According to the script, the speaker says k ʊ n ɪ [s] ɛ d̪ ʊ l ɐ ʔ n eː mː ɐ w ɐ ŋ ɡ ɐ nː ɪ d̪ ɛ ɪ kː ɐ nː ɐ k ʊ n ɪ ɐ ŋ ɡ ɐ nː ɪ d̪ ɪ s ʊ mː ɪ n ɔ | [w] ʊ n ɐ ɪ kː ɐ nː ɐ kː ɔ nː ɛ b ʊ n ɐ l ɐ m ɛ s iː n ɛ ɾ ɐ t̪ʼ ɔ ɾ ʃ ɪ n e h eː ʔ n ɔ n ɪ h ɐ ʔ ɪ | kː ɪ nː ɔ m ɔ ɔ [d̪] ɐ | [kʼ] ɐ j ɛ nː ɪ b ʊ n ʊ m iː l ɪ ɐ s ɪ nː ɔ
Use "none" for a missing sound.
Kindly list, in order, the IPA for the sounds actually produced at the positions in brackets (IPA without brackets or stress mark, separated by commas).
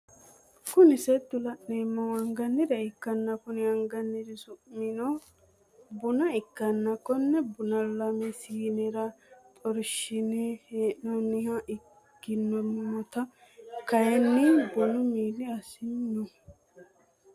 s, b, t̪, k